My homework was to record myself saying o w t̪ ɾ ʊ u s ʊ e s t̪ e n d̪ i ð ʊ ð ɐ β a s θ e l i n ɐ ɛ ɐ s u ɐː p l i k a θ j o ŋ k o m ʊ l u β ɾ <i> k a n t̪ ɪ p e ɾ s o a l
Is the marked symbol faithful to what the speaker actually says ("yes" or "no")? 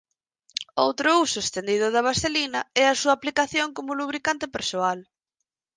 yes